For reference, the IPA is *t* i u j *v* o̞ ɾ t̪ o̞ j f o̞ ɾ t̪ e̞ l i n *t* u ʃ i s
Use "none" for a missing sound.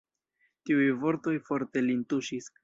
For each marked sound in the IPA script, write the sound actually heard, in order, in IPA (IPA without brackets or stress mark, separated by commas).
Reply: t, v, t